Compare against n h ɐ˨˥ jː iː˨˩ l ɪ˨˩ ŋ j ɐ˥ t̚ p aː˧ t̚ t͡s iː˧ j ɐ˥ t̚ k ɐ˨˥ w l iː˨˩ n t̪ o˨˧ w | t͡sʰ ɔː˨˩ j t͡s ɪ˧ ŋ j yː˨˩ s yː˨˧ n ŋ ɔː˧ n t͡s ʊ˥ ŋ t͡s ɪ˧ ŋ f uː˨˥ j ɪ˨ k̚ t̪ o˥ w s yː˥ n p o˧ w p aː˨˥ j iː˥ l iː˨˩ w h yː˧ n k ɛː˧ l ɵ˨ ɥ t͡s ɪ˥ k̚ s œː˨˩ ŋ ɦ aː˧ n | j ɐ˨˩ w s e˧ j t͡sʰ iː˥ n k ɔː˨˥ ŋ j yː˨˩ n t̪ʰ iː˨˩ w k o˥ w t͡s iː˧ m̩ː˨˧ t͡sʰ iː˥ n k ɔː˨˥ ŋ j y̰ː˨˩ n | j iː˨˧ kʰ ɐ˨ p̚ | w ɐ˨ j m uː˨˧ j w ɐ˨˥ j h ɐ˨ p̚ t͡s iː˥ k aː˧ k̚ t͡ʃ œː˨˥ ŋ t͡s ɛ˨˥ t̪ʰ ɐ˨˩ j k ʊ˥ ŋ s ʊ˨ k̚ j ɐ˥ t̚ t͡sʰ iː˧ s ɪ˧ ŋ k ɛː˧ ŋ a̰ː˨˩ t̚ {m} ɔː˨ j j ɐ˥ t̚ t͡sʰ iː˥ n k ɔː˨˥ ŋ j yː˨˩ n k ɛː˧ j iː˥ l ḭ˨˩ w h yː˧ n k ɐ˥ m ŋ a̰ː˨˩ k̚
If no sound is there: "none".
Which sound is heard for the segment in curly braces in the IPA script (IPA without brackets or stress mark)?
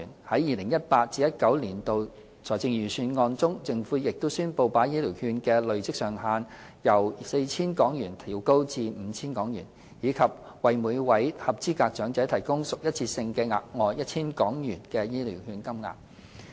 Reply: ŋ